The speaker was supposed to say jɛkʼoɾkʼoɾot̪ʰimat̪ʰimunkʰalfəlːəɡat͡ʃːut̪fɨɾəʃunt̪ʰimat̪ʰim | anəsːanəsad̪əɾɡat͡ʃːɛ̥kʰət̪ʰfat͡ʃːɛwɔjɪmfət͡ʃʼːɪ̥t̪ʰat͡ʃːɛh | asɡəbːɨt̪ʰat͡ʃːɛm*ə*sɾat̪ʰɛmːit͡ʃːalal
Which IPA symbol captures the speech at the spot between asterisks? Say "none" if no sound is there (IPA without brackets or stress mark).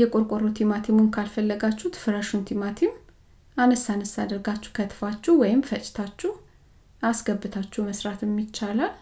ə